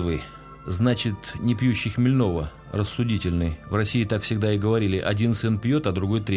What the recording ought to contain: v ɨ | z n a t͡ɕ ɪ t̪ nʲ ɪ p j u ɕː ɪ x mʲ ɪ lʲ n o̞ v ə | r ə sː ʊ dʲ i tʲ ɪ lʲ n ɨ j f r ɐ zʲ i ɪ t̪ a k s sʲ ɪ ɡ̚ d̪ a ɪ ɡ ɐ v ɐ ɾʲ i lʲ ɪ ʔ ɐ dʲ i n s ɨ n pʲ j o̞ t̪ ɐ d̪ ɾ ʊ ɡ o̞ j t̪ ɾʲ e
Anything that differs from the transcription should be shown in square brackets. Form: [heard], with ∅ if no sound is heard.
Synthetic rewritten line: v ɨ | z n a t͡ɕ ɪ t̪ nʲ ɪ p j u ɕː ɪ x mʲ ɪ lʲ n o̞ v ə | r ə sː ʊ dʲ i tʲ ɪ lʲ n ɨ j [v] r ɐ [sʲ] i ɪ t̪ a k [f] sʲ ɪ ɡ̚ d̪ a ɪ ɡ [ə] v ɐ ɾʲ i lʲ ɪ ʔ ɐ dʲ i n s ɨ n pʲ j o̞ t̪ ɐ d̪ ɾ ʊ ɡ o̞ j t̪ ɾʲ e